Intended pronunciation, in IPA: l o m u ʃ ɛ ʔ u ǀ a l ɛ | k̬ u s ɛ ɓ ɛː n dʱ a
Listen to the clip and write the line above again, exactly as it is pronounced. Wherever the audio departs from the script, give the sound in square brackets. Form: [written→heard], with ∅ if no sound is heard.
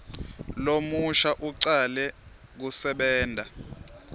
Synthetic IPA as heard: l o m u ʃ [ɛ→a] ʔ u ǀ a l ɛ | k̬ u s ɛ ɓ ɛː n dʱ a